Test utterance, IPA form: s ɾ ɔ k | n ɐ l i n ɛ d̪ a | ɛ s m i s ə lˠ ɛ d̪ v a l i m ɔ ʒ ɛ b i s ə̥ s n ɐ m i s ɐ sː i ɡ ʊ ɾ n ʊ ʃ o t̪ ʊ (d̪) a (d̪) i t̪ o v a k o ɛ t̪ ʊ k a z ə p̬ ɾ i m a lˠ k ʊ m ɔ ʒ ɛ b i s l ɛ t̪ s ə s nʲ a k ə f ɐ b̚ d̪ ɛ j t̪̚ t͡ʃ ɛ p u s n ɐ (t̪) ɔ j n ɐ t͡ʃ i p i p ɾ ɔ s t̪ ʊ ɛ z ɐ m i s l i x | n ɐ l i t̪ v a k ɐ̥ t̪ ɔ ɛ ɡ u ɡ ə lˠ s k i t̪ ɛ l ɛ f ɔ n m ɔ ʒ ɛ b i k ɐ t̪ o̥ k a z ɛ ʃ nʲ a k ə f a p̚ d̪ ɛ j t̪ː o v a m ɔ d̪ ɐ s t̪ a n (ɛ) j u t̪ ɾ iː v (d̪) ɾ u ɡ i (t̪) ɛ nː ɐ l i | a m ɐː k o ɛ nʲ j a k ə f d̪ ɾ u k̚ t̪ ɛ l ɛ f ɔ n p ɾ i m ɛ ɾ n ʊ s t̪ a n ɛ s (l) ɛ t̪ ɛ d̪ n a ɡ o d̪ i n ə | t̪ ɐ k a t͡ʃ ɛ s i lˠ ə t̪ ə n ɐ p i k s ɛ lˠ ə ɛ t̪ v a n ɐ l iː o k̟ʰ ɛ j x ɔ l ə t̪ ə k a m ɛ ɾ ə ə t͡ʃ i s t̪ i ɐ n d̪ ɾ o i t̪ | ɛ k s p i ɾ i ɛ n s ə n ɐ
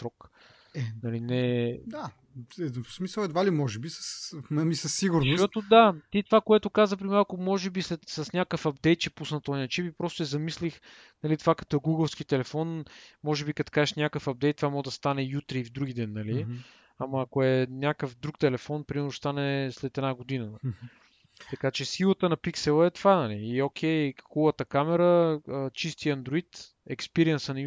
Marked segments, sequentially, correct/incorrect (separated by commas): correct, incorrect, correct, correct, correct, incorrect, correct